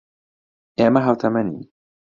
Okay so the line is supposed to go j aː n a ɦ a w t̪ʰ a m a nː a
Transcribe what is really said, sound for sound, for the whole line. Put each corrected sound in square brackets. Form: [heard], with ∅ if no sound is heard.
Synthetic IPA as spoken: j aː [m] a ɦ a w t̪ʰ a m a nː [i]

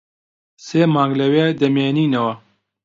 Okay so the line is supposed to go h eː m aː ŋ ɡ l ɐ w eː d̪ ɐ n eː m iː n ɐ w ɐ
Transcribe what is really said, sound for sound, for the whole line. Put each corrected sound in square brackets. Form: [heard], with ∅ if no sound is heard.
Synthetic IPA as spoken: [s] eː m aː ŋ ɡ l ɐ w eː d̪ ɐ [m] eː [n] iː n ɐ w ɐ

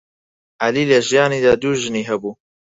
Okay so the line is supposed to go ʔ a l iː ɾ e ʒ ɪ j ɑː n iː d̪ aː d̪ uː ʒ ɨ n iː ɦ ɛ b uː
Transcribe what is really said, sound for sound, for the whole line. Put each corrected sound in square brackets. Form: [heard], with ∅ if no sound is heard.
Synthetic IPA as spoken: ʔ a l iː [l] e ʒ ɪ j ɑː n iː d̪ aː d̪ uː ʒ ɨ n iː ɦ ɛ b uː

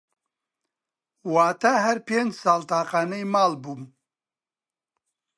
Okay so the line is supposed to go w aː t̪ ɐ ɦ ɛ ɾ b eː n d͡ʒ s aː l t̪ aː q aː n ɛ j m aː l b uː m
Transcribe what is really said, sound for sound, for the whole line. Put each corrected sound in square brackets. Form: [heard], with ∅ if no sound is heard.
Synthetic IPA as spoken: w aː t̪ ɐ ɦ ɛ ɾ [p] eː n d͡ʒ s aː l t̪ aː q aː n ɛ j m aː l b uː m

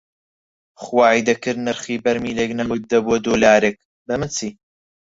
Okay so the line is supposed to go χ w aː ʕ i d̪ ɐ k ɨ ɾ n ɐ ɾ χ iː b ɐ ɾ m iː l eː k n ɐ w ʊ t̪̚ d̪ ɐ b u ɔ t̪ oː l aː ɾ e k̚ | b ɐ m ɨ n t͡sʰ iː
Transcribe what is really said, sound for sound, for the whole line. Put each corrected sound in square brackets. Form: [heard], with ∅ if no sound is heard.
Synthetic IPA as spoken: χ w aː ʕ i d̪ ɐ k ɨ ɾ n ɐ ɾ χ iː b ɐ ɾ m iː l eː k n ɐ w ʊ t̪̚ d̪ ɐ b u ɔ [d̪] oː l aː ɾ e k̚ | b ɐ m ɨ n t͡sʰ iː

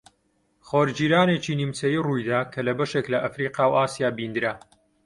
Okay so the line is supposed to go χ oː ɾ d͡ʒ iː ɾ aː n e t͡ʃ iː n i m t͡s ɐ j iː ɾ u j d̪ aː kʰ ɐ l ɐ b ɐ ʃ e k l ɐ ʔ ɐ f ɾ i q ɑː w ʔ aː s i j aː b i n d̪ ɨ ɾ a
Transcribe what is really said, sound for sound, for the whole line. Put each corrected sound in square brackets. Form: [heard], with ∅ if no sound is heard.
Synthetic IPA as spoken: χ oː ɾ d͡ʒ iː ɾ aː n e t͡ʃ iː n i m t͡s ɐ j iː [r] u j d̪ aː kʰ ɐ l ɐ b ɐ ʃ e k l ɐ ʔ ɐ f ɾ i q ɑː w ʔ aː s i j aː b i n d̪ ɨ ɾ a

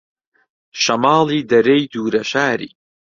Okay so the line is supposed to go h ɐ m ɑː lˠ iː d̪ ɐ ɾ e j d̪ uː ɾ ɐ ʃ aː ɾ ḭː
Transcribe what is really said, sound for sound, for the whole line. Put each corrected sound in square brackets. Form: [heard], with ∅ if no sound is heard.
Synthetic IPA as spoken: [ʃ] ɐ m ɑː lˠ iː d̪ ɐ ɾ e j d̪ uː ɾ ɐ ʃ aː ɾ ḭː

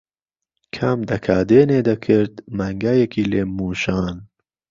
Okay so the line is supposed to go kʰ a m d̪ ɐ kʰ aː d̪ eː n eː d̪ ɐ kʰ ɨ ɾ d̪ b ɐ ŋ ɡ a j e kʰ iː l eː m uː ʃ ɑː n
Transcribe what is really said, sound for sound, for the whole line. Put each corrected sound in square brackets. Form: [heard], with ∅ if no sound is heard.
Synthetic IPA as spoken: kʰ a m d̪ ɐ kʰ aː d̪ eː n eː d̪ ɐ kʰ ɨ ɾ d̪ [m] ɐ ŋ ɡ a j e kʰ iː l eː m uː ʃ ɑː n

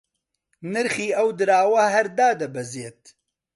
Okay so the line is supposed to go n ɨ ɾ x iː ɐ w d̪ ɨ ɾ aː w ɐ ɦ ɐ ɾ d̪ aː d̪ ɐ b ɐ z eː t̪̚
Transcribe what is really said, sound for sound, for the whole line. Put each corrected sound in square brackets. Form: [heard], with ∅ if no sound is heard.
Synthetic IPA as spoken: n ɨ ɾ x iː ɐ w d̪ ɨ ɾ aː w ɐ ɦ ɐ ɾ d̪ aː d̪ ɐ b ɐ z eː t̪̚

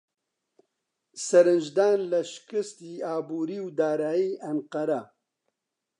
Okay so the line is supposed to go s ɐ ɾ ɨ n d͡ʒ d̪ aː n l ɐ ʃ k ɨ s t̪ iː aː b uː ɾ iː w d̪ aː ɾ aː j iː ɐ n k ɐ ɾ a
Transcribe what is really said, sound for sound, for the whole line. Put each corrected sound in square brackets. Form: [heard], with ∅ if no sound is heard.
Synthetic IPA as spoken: s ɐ ɾ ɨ n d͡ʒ d̪ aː n l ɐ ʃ k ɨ s t̪ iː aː b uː ɾ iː w d̪ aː ɾ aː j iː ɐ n [q] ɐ ɾ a

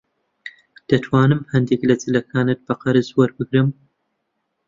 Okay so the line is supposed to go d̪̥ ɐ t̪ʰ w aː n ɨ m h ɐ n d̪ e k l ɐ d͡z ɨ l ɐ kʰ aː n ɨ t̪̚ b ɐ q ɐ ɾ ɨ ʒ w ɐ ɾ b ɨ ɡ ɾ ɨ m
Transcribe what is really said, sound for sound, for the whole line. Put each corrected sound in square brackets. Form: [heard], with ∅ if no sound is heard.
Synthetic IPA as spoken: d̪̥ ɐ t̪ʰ w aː n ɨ m h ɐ n d̪ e k l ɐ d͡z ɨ l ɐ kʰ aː n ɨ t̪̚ b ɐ q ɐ ɾ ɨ [z] w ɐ ɾ b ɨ ɡ ɾ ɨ m

